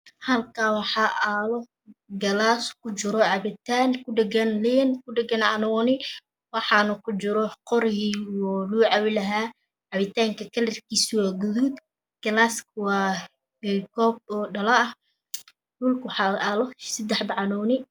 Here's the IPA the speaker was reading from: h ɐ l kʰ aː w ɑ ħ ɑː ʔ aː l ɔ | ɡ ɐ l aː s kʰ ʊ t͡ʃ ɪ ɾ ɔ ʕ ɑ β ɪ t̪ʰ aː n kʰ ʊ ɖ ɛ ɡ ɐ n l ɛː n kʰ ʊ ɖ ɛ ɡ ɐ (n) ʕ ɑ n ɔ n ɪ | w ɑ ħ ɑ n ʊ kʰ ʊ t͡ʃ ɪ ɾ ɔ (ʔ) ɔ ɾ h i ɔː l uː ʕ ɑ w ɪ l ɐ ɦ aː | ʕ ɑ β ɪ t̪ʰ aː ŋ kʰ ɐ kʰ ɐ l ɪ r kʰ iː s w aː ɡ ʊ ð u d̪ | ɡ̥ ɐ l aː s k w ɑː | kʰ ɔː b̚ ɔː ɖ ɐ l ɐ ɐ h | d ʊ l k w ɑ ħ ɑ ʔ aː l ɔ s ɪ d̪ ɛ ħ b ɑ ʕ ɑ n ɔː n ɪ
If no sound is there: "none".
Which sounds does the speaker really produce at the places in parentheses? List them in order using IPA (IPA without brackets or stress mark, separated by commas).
n, q